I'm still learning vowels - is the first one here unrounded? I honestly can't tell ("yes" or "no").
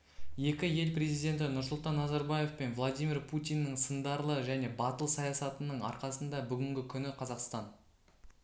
yes